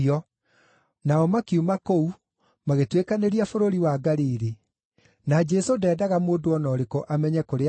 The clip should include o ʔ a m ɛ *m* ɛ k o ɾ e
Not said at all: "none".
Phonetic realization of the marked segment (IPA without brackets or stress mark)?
ɲ